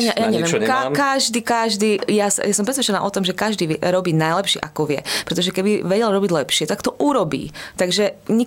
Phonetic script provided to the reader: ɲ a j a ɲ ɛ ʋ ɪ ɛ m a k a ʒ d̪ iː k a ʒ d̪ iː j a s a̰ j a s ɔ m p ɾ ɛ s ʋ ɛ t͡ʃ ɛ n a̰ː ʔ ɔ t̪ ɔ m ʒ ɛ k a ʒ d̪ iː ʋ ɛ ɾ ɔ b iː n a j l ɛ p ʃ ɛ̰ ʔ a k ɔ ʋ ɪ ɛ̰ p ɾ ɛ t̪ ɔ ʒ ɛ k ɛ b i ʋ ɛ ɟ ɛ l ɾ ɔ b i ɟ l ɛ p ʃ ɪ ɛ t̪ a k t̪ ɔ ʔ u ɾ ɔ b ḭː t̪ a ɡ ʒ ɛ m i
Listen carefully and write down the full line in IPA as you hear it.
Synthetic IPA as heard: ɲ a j a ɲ ɛ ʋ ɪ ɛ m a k a ʒ d̪ iː k a ʒ d̪ iː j a s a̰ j a s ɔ m p ɾ ɛ s ʋ ɛ t͡ʃ ɛ n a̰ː ʔ ɔ t̪ ɔ m ʒ ɛ k a ʒ d̪ iː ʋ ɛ ɾ ɔ b iː n a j l ɛ p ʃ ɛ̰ ʔ a k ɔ ʋ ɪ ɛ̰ p ɾ ɛ t̪ ɔ ʒ ɛ k ɛ b i ʋ ɛ ɟ ɛ l ɾ ɔ b i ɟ l ɛ p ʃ ɪ ɛ t̪ a k t̪ ɔ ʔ u ɾ ɔ b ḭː t̪ a ɡ ʒ ɛ ɲ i